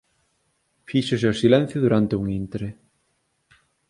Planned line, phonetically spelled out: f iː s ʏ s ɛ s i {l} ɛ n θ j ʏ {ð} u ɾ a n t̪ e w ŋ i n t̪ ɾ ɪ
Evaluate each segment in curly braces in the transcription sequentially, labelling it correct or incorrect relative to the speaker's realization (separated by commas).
correct, correct